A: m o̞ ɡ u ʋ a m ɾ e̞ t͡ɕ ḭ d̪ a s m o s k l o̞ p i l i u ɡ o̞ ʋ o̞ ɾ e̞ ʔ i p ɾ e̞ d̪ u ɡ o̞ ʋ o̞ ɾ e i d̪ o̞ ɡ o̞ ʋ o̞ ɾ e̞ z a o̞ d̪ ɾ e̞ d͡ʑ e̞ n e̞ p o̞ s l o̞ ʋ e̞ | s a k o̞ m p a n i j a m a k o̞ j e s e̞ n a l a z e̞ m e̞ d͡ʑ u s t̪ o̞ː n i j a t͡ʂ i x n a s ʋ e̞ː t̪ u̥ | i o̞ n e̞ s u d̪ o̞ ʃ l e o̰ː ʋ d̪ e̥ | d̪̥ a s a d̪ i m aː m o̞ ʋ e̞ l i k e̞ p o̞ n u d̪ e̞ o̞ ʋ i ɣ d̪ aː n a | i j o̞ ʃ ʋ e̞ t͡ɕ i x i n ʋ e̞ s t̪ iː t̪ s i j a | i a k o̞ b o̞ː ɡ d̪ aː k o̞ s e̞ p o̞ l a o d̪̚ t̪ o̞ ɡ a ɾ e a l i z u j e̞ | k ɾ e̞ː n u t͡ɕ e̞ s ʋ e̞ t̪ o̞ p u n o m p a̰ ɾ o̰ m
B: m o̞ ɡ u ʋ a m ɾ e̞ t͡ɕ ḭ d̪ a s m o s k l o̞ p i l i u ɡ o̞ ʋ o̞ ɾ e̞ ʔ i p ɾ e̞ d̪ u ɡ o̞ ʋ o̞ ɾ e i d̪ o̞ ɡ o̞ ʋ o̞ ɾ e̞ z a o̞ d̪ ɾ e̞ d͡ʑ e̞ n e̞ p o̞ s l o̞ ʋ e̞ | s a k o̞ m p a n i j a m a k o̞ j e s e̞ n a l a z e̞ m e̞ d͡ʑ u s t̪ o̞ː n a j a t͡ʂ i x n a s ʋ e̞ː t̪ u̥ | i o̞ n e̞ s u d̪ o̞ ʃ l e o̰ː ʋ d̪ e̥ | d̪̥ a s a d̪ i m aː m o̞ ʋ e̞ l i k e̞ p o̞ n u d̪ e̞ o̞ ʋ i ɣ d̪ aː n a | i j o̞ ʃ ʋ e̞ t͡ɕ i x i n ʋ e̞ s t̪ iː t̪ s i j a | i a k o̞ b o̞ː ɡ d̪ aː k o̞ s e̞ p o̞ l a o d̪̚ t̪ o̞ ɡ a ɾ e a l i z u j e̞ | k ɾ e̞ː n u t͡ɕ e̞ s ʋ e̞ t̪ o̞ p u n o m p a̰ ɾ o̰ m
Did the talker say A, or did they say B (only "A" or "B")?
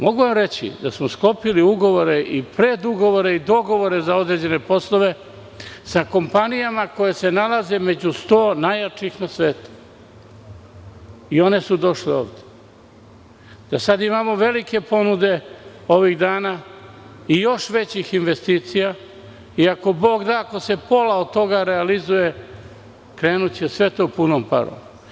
B